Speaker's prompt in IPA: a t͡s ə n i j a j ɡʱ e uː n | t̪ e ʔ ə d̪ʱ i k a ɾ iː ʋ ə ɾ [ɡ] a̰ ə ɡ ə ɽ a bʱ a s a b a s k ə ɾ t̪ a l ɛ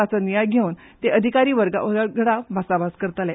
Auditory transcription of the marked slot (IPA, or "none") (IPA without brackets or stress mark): ɡ